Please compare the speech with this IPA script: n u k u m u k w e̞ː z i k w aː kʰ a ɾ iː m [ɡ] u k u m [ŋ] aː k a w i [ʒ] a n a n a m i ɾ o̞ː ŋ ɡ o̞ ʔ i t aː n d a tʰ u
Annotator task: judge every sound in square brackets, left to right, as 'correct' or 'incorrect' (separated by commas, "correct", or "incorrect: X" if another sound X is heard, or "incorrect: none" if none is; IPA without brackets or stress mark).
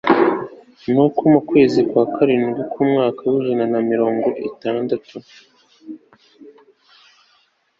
correct, correct, correct